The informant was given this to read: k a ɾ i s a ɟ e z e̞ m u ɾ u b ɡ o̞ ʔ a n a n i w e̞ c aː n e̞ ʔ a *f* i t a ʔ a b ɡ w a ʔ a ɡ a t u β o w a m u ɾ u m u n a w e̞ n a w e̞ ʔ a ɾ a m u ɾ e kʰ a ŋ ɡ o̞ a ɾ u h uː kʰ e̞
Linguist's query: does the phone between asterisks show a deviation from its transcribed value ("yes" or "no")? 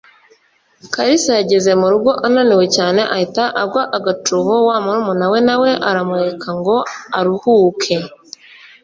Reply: yes